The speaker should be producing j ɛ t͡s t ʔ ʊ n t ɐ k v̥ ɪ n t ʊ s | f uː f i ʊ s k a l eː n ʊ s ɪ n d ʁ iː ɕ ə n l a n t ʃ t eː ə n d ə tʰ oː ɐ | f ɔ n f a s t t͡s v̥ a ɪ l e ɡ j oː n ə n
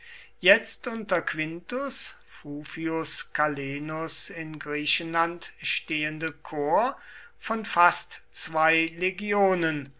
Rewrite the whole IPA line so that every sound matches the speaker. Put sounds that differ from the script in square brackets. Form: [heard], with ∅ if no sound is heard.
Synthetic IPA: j ɛ t͡s t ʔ ʊ n t ɐ k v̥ ɪ n t ʊ s | f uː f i ʊ s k a l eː n ʊ s ɪ n [ɡ] ʁ iː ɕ ə n l a n t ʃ t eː ə n d ə [kʰ] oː ɐ | f ɔ n f a s t t͡s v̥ a ɪ l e ɡ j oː n ə n